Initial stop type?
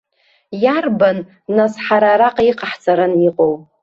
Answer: plain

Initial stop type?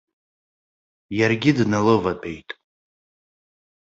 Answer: plain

